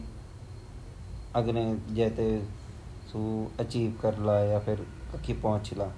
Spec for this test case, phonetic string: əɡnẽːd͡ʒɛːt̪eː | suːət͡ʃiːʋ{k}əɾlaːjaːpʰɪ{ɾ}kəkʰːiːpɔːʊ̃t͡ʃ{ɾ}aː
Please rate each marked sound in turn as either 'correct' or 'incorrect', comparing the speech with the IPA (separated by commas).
correct, correct, incorrect